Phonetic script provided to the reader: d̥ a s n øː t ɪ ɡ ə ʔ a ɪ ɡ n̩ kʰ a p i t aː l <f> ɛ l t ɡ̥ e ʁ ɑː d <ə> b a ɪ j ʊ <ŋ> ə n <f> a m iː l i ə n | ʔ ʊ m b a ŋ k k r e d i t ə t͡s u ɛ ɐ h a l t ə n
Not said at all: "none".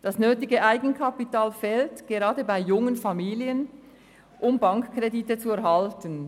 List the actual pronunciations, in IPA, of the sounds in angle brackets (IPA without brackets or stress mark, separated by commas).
f, ə, ŋ, f